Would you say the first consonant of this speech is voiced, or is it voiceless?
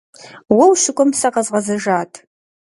voiced